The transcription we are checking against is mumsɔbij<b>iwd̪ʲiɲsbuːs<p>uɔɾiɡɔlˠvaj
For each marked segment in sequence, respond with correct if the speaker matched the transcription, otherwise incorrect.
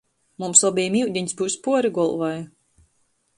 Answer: incorrect, correct

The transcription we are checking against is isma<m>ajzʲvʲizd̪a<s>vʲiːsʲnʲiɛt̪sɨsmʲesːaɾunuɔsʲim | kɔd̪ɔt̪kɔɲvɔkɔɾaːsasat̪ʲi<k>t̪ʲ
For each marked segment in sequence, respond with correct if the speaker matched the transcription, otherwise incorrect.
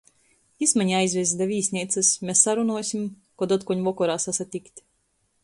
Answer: incorrect, incorrect, correct

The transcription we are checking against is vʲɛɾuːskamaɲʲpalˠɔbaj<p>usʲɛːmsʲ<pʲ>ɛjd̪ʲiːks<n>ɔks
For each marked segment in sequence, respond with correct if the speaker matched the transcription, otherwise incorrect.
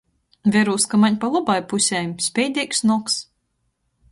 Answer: correct, correct, correct

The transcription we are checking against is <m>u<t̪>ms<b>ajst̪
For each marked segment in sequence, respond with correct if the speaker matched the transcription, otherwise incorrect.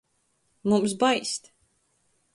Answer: correct, incorrect, correct

